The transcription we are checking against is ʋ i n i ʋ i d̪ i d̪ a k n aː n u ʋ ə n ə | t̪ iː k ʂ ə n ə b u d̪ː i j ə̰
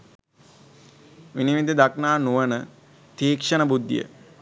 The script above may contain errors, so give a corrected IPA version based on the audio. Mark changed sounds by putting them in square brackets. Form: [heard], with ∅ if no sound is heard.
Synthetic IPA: ʋ i n i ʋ i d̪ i d̪ a k n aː n u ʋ ə n ə | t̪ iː k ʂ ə n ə b u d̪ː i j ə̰

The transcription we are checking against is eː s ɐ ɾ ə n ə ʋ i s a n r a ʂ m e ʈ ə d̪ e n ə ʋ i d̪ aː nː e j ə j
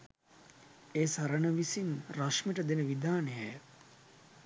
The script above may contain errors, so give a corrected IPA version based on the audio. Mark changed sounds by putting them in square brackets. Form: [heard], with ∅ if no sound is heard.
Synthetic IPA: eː s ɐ ɾ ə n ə ʋ i s [i] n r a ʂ m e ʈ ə d̪ e n ə ʋ i d̪ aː [n] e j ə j

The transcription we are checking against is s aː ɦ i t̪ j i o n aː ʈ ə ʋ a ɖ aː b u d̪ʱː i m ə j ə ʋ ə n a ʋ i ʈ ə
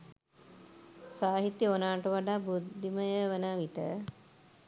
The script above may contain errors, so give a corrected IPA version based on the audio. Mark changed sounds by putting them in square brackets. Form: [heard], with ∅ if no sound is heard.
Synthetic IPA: s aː ɦ i t̪ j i o n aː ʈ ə ʋ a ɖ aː b u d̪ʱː i m ə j ə ʋ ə n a ʋ i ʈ ə

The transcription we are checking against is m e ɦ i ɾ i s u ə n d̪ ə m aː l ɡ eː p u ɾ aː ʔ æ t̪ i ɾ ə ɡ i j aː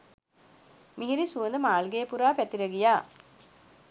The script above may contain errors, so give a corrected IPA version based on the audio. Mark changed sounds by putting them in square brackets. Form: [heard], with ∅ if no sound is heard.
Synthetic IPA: m [i] ɦ i ɾ i s u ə n d̪ ə m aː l ɡ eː p u ɾ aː [p] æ t̪ i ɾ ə ɡ i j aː

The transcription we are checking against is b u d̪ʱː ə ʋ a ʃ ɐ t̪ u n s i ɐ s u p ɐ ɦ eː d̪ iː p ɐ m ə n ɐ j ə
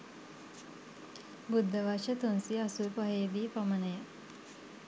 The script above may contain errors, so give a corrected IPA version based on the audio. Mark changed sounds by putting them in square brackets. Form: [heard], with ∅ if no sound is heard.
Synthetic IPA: b u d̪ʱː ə ʋ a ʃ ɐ t̪ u n s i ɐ s u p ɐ ɦ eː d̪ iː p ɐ m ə n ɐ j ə

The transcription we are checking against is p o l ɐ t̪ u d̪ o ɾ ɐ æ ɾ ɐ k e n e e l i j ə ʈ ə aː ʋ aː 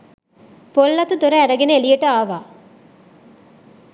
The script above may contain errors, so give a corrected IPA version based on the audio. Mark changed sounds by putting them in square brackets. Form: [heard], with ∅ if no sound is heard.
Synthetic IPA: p o [lː] ɐ t̪ u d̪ o ɾ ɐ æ ɾ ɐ [ɡ] e n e e l i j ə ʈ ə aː ʋ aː

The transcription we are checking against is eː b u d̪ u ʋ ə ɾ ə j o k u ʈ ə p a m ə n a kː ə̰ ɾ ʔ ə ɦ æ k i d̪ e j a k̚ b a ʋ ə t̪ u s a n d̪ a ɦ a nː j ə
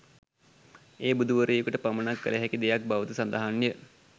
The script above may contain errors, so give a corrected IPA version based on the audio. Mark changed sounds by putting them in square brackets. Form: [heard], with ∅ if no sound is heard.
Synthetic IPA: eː b u d̪ u ʋ ə ɾ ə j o k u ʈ ə p a m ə n a kː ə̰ [l] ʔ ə ɦ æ k i d̪ e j a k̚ b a ʋ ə t̪ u s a n d̪ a ɦ a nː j ə

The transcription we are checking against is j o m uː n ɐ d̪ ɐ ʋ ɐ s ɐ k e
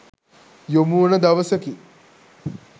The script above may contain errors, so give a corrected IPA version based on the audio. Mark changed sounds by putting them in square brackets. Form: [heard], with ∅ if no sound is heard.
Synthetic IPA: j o m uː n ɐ d̪ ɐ ʋ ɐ s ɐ k [i]

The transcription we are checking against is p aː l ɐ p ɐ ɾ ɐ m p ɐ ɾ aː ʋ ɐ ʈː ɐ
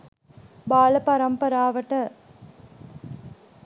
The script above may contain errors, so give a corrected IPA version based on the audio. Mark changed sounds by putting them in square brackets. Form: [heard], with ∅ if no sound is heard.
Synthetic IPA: [b] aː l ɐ p ɐ ɾ ɐ m p ɐ ɾ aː ʋ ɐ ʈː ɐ

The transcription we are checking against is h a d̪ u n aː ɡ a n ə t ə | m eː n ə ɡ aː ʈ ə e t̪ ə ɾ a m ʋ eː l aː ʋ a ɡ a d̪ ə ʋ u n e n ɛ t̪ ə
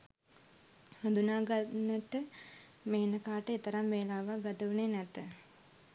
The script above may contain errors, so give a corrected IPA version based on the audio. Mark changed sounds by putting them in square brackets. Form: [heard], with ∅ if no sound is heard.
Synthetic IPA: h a d̪ u n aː ɡ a n ə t ə | m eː n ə [k] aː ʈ ə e t̪ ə ɾ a m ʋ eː l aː ʋ a ɡ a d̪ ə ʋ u n e n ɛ t̪ ə

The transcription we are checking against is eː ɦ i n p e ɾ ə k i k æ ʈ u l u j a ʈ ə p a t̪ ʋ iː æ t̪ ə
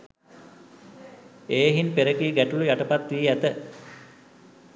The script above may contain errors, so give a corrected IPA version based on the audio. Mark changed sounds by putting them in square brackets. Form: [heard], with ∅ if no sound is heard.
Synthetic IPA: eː ɦ i n p e ɾ ə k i [ɡ] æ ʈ u l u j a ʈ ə p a t̪ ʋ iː æ t̪ ə

